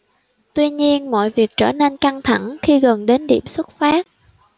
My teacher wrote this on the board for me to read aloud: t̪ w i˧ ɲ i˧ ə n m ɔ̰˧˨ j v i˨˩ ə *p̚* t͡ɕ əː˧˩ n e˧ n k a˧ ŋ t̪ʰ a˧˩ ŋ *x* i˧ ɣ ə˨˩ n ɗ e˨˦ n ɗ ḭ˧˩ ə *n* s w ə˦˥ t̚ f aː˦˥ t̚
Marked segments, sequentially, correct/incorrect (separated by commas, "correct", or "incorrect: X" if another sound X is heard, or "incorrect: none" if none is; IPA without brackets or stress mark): incorrect: k̚, correct, incorrect: m